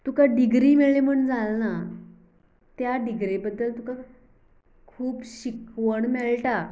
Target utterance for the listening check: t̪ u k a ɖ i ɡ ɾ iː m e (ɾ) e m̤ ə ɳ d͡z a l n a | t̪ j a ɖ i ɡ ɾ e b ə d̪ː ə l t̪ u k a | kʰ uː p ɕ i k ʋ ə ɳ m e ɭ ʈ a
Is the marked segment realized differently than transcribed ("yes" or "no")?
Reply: yes